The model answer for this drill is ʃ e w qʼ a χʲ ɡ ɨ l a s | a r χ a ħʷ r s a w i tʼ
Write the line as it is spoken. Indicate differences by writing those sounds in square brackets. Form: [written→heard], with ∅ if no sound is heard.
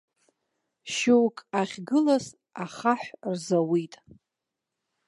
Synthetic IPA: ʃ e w [qʼ→kʼ] a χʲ ɡ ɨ l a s | a [r→∅] χ a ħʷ r [s→z] a w i tʼ